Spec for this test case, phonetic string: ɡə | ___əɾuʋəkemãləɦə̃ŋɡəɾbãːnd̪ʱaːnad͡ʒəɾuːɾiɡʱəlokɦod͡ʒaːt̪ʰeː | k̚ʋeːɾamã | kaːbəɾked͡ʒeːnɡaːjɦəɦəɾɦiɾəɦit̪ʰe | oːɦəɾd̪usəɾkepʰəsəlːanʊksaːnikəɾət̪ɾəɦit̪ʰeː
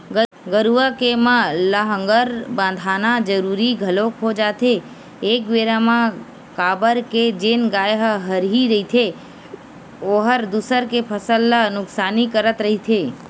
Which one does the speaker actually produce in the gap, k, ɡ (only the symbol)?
ɡ